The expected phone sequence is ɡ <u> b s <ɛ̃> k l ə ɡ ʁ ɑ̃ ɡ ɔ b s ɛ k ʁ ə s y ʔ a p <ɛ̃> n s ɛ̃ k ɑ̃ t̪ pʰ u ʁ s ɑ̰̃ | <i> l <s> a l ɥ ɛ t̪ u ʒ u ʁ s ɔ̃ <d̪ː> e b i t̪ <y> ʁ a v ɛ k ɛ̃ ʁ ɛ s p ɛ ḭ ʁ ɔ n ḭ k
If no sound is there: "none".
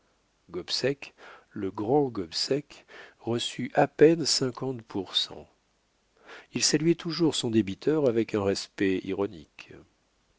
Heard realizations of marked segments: ɔ, ɛ, ɛ, i, s, d̪, œ

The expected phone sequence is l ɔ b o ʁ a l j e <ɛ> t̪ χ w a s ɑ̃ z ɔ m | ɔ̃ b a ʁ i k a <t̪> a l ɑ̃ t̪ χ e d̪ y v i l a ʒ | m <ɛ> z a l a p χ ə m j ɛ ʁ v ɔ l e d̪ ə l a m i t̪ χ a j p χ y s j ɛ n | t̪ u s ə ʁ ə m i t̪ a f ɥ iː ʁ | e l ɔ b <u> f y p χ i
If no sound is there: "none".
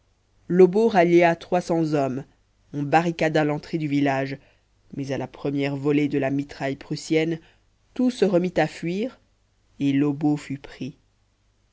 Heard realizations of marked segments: a, d̪, ɛ, o

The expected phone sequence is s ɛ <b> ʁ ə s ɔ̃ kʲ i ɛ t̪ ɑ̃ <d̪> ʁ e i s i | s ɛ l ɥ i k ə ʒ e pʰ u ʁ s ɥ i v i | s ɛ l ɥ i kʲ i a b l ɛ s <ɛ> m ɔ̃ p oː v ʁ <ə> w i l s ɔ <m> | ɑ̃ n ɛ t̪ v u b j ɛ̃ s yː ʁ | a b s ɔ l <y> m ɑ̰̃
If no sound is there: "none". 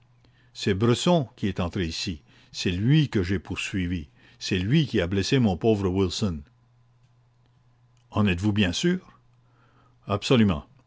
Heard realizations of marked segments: b, t̪, e, ə, n, y

